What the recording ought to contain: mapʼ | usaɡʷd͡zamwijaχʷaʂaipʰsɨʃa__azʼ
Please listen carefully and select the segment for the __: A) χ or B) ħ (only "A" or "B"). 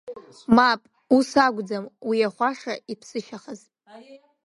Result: A